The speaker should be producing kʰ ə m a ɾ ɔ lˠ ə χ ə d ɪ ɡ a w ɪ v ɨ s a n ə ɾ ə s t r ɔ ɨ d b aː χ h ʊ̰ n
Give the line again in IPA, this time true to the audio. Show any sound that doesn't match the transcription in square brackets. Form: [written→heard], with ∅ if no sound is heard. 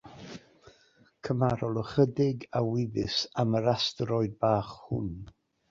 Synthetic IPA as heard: kʰ ə m a ɾ ɔ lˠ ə χ ə d ɪ ɡ a w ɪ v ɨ s a [n→m] ə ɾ [ə→a] s t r ɔ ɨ d b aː χ h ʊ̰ n

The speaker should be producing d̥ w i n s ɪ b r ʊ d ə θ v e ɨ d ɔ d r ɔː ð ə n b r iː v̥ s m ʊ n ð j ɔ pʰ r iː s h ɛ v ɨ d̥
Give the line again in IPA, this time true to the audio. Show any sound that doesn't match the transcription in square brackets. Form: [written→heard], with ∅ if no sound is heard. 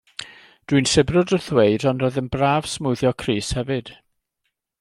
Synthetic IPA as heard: d̥ w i n s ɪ b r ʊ d ə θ [v→w] e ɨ d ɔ [d→n] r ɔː ð ə n b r [iː→aː] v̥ s m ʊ [n→∅] ð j ɔ [pʰ→kʰ] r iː s h ɛ v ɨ d̥

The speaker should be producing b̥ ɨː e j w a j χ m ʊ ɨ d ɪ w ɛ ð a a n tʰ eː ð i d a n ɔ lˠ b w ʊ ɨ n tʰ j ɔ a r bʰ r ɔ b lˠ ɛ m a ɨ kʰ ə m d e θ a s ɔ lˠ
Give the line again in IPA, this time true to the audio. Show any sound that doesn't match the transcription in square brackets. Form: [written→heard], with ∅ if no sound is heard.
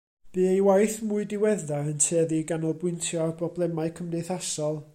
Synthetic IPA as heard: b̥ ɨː e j w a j [χ→θ] m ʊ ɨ d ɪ w ɛ ð a [a→ə] n tʰ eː ð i [d→ɡ] a n ɔ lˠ b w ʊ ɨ n tʰ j ɔ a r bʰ r ɔ b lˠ ɛ m a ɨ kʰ ə m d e θ a s ɔ lˠ

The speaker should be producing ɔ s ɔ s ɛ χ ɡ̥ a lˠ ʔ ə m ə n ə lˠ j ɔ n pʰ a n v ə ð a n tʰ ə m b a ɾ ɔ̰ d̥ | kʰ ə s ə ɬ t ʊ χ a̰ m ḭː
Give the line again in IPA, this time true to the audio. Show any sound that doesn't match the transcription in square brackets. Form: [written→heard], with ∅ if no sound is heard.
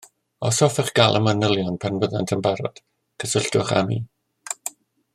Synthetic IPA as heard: ɔ s ɔ [s→f] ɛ χ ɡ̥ a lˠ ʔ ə m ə n ə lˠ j ɔ n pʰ a n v ə ð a n tʰ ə m b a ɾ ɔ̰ d̥ | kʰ ə s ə ɬ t ʊ χ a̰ m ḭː

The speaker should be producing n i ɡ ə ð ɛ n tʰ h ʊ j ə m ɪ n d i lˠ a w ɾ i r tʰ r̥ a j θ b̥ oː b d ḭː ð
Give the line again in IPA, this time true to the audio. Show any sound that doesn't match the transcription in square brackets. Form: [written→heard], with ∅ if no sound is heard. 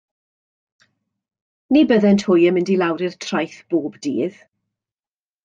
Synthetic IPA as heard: n i [ɡ→b] ə ð ɛ n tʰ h ʊ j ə m ɪ n d i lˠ a w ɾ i r tʰ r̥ a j θ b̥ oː b d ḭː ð

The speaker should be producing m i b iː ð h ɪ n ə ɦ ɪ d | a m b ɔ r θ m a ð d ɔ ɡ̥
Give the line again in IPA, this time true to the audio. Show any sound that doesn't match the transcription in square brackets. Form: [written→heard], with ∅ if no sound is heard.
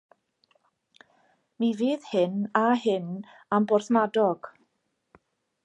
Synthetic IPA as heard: m i [b→v] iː ð h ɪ n [ə→a] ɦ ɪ [d→n] | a m b ɔ r θ m a [ð→∅] d ɔ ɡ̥

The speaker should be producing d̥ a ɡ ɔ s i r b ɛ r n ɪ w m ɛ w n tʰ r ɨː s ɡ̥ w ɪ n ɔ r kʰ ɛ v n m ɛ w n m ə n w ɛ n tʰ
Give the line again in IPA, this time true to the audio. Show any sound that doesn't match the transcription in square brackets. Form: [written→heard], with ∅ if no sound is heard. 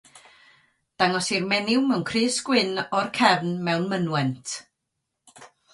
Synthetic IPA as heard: d̥ a [ɡ→ŋ] ɔ s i r [b→m] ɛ [r→∅] n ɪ w m ɛ w n [tʰ→kʰ] r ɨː s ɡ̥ w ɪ n ɔ r kʰ ɛ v n m ɛ w n m ə n w ɛ n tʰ

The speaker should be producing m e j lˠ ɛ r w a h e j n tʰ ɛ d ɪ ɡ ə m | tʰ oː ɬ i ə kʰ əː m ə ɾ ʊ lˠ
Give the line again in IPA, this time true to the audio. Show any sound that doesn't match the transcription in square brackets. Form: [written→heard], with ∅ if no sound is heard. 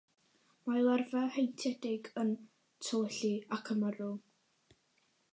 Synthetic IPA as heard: m [e→a] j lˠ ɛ r [w→v] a h e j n tʰ ɛ d ɪ ɡ ə [m→n] | tʰ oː ɬ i [ə→a] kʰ [əː→ə] m ə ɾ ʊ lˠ

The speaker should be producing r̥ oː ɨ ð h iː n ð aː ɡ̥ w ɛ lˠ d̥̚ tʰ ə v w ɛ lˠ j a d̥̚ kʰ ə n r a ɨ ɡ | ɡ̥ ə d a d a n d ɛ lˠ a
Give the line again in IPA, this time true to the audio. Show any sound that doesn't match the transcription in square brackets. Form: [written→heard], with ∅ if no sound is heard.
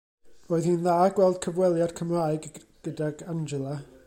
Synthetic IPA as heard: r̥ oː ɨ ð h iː n ð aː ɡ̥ w ɛ lˠ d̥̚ [tʰ→kʰ] ə v w ɛ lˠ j a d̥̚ kʰ ə [n→m] r a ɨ ɡ | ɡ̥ ə d a [d→ɡ] a n [d→d͡ʒ] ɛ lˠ a

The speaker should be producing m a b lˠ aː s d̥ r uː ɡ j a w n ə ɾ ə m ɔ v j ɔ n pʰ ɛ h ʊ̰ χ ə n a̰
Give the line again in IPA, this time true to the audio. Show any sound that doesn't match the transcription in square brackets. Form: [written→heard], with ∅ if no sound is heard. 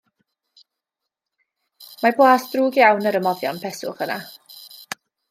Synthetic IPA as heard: m a b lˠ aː s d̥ r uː ɡ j a w n ə ɾ ə m ɔ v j ɔ n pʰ ɛ [h→s] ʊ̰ χ ə n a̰

